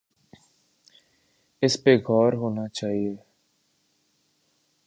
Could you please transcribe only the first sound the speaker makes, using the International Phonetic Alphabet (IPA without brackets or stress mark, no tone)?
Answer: ɪ